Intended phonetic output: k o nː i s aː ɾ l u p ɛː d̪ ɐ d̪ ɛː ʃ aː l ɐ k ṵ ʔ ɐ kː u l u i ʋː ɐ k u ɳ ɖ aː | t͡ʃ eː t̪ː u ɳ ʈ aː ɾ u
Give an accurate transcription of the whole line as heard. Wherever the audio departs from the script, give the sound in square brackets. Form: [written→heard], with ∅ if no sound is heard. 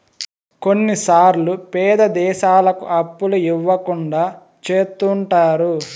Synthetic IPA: k o nː i s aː ɾ l u p ɛː d̪ ɐ d̪ ɛː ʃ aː l ɐ k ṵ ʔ ɐ [kː→pː] u l u i ʋː ɐ k u ɳ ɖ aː | t͡ʃ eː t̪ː u ɳ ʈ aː ɾ u